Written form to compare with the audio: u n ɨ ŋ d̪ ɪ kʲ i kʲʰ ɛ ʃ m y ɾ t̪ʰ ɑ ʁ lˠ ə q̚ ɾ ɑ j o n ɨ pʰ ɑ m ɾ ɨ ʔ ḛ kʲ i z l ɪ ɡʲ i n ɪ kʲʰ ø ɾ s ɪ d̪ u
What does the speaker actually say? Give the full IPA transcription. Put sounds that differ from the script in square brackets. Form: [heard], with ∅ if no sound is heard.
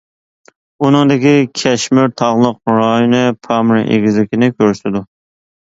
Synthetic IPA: u n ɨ ŋ d̪ ɪ kʲ i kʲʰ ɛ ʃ m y ɾ t̪ʰ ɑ ʁ lˠ ə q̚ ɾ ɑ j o n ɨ pʰ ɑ m ɾ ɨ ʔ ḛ [ɡʲ] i z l ɪ [kʲ] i n ɪ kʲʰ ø ɾ s ɪ d̪ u